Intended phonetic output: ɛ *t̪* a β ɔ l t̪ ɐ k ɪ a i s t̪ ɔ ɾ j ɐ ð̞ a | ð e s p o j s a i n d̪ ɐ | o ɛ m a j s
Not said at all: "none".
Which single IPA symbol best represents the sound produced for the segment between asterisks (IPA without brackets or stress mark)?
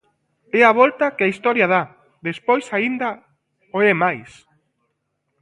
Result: none